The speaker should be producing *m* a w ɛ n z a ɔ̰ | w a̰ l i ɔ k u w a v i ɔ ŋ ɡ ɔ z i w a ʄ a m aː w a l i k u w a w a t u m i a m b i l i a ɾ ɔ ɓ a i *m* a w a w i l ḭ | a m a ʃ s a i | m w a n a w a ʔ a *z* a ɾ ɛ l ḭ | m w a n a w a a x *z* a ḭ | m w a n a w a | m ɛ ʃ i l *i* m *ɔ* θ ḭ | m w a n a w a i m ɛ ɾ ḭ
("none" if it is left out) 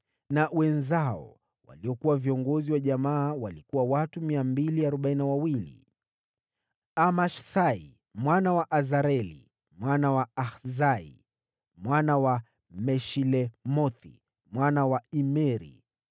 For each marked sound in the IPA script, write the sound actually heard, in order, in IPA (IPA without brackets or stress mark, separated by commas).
n, n, z, z, ɛ, ɔ